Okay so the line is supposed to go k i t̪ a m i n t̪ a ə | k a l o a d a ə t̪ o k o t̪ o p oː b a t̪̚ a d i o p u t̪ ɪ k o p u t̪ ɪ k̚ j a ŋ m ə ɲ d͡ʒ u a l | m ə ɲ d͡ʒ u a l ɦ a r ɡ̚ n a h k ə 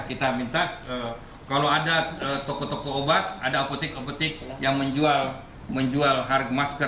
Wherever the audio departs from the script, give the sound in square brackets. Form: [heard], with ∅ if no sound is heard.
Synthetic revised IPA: k i t̪ a m i n t̪ a ə | k a l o a d a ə t̪ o k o t̪ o [k] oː b a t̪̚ a d [a] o p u t̪ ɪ k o p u t̪ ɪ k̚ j a ŋ m ə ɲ d͡ʒ u a l | m ə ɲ d͡ʒ u a l ɦ a r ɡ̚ [m] a [s] k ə